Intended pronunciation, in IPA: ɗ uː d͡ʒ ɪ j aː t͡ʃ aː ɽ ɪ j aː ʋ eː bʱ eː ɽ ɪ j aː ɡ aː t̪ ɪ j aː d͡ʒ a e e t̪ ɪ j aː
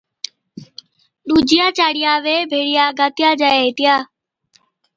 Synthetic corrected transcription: ɗ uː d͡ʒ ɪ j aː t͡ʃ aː ɽ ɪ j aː ʋ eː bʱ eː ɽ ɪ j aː ɡ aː t̪ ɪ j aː d͡ʒ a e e t̪ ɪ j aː